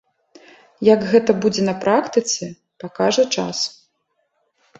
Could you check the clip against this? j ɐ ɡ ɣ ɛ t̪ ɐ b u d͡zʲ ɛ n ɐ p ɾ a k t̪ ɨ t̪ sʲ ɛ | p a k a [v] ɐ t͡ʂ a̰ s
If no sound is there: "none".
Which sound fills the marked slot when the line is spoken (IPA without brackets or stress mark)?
ʐ